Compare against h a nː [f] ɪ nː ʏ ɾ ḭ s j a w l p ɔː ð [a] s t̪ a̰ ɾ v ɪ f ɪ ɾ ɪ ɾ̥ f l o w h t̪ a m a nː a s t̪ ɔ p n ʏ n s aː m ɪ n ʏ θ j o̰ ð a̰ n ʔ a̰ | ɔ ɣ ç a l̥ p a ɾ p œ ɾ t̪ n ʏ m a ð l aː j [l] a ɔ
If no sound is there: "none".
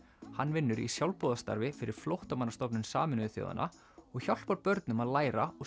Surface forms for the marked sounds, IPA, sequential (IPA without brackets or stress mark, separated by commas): v, a, ɾ